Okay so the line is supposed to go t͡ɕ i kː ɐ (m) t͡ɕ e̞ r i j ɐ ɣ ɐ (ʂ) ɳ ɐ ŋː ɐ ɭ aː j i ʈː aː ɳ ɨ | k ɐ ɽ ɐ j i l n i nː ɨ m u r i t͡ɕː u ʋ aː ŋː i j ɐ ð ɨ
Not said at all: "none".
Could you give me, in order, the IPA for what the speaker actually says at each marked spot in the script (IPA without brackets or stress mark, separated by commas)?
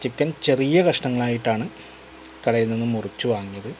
n, ʂ